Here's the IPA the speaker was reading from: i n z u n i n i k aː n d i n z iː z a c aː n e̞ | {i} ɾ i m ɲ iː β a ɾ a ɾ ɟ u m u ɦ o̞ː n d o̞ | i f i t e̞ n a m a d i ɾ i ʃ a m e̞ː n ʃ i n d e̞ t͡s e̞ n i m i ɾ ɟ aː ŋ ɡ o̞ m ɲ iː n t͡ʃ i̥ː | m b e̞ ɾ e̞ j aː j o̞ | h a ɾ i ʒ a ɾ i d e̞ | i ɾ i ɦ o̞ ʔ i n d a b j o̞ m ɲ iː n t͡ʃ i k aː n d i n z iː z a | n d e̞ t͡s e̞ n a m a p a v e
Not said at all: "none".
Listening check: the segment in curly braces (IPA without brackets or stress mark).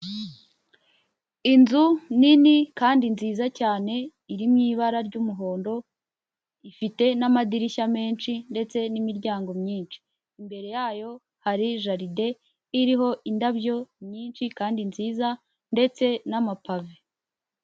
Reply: i